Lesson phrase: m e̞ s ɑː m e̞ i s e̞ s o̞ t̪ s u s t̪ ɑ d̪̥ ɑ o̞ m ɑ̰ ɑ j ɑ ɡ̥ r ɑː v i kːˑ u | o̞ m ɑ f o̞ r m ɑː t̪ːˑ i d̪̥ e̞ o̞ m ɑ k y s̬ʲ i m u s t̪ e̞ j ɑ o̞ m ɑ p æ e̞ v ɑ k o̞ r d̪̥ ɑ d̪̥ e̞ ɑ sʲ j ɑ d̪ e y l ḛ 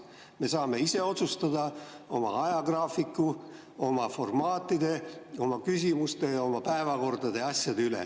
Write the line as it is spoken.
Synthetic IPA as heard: m e̞ s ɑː m e̞ i s e̞ o̞ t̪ s u s t̪ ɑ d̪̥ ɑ o̞ m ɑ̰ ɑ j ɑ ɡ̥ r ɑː f i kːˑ u | o̞ m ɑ f o̞ r m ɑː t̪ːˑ i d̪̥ e̞ o̞ m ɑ k y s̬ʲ i m u s t̪ e̞ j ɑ o̞ m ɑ p æ e̞ v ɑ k o̞ r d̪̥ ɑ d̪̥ e̞ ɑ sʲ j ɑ d̪ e y l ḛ